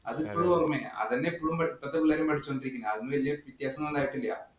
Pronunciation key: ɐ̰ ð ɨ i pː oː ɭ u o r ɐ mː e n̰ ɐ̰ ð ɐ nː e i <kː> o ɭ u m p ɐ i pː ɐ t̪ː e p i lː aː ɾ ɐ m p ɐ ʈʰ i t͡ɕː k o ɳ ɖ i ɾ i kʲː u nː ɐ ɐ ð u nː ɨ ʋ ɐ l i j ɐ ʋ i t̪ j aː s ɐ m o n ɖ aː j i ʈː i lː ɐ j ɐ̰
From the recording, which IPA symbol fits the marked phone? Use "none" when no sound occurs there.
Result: pː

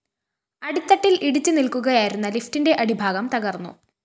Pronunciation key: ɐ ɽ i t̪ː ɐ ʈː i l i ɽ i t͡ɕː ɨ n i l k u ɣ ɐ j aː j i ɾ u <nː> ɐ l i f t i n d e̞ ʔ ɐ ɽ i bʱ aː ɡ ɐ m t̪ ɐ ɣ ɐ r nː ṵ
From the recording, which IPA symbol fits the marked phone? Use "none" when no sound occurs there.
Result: nː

